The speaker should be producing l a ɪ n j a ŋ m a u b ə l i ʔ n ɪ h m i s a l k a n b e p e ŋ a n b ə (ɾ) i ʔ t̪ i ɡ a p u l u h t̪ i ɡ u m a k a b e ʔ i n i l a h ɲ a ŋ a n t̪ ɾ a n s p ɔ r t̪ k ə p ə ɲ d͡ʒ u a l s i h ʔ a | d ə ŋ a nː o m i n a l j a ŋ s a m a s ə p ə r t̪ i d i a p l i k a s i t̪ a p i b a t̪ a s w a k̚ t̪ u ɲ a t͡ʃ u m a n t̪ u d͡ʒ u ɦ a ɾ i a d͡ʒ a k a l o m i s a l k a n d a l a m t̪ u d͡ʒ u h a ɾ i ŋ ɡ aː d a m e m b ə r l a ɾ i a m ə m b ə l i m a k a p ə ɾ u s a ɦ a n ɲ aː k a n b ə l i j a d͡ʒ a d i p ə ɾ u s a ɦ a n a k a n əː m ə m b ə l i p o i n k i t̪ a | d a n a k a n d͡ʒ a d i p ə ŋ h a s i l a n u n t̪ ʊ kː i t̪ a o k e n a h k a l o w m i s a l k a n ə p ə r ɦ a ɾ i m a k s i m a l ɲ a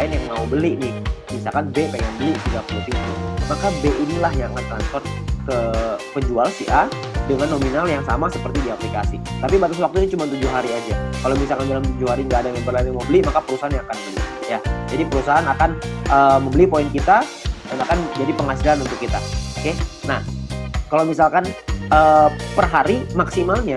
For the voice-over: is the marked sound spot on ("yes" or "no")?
no